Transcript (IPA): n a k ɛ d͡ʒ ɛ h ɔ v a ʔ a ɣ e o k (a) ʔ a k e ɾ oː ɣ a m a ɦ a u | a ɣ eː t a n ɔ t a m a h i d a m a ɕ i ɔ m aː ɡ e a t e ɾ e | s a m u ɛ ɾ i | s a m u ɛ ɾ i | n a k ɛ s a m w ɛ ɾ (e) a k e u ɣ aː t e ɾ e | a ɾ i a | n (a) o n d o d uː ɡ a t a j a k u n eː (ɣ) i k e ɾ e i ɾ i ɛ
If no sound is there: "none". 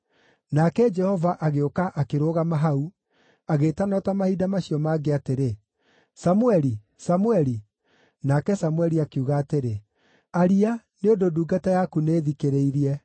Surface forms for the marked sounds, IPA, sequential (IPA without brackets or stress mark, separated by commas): a, i, e, ð